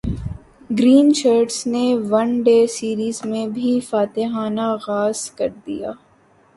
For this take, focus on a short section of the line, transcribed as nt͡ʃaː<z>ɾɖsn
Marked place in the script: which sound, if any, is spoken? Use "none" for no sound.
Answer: none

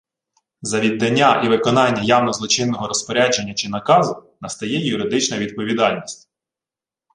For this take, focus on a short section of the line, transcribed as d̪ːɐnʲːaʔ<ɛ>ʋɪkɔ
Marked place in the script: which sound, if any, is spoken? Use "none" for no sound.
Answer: i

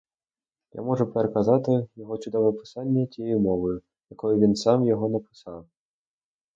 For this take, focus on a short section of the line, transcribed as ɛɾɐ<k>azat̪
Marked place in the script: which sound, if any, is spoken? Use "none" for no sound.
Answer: k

